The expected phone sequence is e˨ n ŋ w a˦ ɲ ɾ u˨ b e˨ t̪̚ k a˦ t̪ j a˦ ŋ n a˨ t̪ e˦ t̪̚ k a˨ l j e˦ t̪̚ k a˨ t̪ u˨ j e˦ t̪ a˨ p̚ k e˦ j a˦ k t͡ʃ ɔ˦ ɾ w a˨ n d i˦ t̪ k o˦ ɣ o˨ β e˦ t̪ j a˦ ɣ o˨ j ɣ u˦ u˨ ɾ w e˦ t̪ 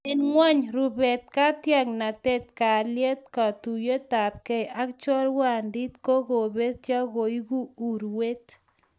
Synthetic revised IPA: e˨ n ŋ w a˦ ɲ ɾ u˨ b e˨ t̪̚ k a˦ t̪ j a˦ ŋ n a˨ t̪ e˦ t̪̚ k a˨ l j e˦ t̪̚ k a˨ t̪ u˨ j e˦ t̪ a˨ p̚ k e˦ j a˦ k t͡ʃ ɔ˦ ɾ w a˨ n d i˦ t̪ k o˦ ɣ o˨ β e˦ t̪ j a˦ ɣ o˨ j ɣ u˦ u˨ ɾ w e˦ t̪